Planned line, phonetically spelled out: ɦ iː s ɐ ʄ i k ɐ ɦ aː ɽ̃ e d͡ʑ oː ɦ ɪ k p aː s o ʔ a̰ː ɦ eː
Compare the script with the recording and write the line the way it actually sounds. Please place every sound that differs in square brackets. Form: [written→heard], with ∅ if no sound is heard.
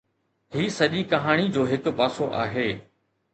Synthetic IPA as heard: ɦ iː s ɐ ʄ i k ɐ ɦ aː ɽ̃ [e→i] d͡ʑ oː ɦ ɪ k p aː s o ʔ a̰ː ɦ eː